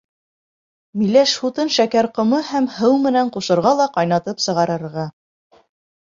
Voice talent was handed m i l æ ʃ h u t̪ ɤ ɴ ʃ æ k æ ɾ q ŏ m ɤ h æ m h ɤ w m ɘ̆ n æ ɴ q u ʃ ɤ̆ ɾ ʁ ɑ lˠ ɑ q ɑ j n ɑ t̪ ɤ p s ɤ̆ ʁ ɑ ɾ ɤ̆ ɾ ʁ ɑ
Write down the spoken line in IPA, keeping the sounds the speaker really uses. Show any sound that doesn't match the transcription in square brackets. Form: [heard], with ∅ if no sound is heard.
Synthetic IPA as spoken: m i l æ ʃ h u t̪ ɤ [n] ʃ æ k æ ɾ q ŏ m ɤ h æ m h ɤ w m ɘ̆ n æ ɴ q u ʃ ɤ̆ ɾ ʁ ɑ lˠ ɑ q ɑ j n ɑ t̪ ɤ p s ɤ̆ ʁ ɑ ɾ ɤ̆ ɾ ʁ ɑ